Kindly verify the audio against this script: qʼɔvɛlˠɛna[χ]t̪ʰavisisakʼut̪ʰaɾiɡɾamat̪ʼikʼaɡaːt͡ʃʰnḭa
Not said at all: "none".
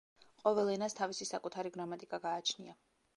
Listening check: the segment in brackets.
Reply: s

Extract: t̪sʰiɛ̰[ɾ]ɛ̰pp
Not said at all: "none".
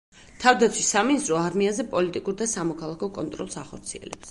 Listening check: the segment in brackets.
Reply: l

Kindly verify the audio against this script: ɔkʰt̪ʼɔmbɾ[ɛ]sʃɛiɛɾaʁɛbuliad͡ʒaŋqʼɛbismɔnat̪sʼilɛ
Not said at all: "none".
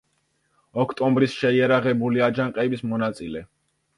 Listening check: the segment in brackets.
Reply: i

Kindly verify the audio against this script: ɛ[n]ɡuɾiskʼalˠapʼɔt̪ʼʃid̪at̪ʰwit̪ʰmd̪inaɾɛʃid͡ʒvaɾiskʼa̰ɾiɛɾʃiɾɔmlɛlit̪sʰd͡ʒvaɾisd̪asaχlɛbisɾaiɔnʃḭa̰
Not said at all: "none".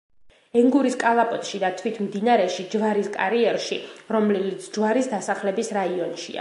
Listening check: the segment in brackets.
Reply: ŋ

